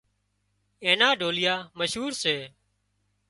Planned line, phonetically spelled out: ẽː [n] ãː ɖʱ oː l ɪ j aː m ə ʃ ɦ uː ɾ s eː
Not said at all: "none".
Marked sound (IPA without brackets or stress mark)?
n